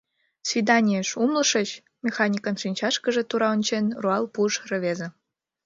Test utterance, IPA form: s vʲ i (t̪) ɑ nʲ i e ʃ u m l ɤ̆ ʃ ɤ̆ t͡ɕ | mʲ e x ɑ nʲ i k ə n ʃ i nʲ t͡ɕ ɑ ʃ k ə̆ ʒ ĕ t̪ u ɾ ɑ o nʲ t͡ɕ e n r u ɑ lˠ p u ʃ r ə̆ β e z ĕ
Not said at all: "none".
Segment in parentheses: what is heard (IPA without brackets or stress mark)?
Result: d̪